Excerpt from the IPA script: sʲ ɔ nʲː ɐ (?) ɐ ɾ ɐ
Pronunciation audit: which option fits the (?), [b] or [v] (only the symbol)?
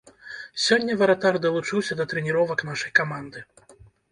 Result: v